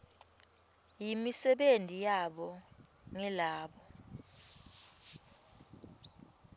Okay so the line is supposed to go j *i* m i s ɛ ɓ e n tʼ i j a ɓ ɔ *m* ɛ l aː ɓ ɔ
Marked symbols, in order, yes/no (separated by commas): yes, no